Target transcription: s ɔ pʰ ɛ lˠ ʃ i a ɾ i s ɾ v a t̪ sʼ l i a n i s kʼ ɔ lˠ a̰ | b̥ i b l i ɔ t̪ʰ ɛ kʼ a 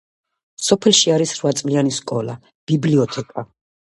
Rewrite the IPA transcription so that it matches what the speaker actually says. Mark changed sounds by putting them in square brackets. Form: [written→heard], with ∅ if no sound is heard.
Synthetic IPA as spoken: s ɔ pʰ ɛ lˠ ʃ i a ɾ i s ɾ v a t̪ sʼ l i a n i s kʼ ɔ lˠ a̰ | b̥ i b l i ɔ t̪ʰ ɛ kʼ a